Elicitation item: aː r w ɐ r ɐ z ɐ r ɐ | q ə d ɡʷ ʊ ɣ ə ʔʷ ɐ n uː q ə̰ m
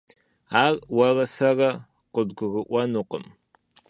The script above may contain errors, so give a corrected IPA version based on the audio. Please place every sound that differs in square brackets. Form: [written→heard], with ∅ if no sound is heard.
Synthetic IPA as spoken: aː r w ɐ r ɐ [z→s] ɐ r ɐ | q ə d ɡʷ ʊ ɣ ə ʔʷ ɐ n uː q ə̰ m